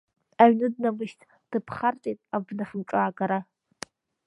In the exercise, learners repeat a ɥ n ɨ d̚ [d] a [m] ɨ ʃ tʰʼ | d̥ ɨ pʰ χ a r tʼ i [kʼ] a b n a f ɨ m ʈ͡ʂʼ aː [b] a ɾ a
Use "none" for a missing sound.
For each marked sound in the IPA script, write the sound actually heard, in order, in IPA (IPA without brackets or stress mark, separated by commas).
n, m, tʼ, ɡ